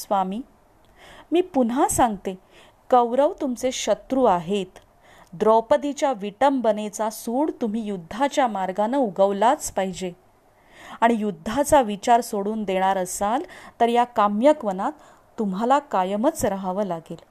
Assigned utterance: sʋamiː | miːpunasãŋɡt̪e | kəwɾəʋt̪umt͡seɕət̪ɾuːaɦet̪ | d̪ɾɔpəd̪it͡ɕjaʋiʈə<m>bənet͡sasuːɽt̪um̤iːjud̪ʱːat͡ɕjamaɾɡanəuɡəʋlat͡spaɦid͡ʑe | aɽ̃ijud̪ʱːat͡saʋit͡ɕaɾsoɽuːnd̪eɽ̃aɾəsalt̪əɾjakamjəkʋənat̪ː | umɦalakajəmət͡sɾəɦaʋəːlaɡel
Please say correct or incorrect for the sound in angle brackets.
correct